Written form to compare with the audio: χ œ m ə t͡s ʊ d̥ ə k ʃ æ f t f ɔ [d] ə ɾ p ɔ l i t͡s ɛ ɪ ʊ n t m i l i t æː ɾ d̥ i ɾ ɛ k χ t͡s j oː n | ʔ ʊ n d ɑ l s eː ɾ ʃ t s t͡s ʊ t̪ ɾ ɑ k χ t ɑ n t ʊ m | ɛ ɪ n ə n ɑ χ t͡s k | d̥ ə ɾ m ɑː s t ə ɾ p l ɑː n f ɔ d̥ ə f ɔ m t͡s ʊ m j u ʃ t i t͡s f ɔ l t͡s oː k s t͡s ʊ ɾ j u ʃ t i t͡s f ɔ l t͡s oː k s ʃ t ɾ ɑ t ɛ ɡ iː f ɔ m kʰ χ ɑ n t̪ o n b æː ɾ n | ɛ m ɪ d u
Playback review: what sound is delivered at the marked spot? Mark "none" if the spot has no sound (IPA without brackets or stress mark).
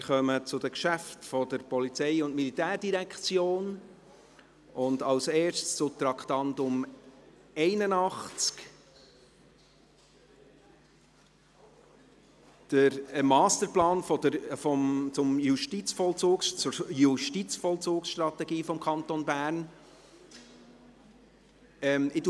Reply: d